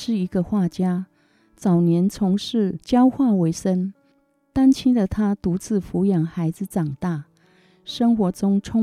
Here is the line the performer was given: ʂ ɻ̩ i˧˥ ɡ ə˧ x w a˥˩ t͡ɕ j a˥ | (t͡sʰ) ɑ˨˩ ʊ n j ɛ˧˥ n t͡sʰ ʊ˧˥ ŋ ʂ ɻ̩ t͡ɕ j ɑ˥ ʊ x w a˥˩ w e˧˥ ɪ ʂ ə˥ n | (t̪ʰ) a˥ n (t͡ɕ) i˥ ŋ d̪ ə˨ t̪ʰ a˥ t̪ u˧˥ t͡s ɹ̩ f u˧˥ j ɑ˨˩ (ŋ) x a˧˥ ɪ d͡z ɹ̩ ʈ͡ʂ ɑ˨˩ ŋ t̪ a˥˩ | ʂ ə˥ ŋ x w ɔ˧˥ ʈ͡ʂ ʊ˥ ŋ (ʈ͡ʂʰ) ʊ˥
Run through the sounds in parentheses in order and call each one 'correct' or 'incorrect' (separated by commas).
incorrect, incorrect, incorrect, correct, correct